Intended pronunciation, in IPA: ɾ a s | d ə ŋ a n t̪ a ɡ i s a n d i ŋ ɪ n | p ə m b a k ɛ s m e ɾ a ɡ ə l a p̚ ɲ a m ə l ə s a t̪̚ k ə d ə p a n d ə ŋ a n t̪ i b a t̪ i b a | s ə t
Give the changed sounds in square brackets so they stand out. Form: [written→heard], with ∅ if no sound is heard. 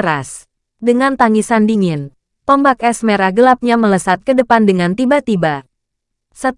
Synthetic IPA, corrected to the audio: ɾ a s | d ə ŋ a n t̪ a [ɡ→ŋ] i s a n d i ŋ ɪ n | p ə m b a k ɛ s m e ɾ a ɡ ə l a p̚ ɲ a m ə l ə s a t̪̚ k ə d ə p a n d ə ŋ a n t̪ i b a t̪ i b a | s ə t